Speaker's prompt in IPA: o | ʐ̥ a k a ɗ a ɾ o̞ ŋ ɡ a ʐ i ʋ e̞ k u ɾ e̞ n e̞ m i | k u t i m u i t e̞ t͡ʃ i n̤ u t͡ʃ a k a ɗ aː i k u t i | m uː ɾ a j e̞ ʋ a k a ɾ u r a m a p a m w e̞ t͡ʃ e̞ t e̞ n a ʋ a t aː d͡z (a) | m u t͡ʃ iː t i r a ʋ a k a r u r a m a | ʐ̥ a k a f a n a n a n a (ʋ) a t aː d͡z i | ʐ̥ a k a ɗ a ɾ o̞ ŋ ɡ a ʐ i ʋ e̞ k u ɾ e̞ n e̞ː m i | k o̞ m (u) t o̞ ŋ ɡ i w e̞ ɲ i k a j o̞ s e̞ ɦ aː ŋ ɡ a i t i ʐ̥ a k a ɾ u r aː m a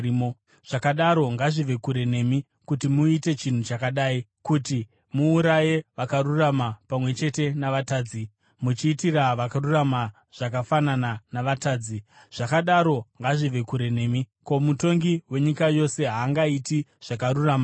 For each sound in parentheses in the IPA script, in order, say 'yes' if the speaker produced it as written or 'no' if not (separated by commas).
no, yes, yes